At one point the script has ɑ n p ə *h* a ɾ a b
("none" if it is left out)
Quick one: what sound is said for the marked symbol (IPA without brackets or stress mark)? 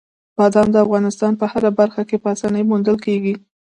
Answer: h